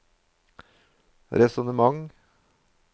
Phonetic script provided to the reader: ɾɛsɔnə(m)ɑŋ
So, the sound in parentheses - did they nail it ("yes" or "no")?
yes